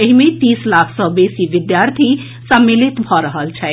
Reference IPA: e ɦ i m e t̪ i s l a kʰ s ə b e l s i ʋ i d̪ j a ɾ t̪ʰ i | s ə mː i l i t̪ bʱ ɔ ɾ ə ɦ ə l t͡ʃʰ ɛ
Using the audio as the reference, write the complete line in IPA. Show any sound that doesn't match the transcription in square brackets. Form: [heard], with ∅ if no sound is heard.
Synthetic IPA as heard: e ɦ i m e t̪ i s l a kʰ s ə b e [∅] s i ʋ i d̪ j a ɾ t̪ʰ i | s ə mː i l i t̪ bʱ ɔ ɾ ə ɦ ə l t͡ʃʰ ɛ